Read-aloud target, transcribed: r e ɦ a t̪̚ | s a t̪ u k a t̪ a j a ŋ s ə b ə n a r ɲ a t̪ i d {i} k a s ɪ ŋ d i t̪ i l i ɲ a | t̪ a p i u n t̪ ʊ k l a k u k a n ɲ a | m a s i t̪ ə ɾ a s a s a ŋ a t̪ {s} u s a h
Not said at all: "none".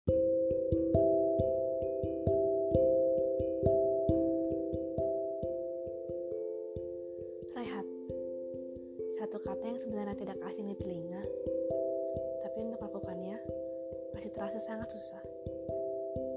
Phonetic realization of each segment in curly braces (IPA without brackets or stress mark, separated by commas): a, s